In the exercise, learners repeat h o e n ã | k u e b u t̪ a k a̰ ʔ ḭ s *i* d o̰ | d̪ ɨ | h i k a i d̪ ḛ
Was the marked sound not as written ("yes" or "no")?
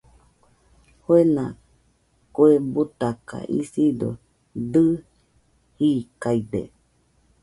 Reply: no